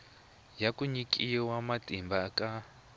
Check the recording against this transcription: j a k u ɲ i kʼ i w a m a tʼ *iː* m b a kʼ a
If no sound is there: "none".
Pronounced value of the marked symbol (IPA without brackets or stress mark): i